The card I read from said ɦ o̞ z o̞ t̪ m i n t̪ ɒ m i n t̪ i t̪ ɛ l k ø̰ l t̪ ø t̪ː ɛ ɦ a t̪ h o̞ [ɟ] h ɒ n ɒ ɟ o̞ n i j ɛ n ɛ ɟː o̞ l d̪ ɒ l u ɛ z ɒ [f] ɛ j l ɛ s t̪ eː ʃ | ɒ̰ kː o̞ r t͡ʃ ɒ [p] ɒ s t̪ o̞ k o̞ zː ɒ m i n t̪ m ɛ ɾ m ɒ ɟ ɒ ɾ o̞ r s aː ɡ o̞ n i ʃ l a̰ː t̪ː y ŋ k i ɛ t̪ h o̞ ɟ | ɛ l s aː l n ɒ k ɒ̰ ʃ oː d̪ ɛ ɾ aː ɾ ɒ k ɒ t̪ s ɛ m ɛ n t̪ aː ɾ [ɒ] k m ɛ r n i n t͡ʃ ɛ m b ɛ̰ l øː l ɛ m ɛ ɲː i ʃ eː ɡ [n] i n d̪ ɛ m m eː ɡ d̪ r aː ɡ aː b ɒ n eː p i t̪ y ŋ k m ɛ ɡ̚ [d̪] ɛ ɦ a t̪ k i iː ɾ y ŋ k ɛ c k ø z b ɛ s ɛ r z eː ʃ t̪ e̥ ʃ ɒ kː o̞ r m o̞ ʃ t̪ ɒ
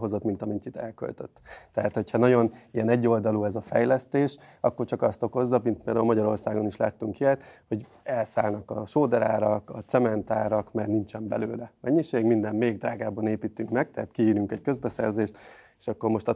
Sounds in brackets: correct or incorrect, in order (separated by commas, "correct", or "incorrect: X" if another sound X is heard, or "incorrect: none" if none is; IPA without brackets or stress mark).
incorrect: c, correct, incorrect: k, correct, incorrect: m, incorrect: t̪